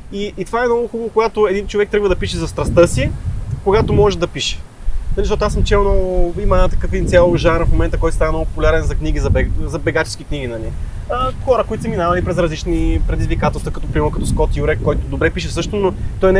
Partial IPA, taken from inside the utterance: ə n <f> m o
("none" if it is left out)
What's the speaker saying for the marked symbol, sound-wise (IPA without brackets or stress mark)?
f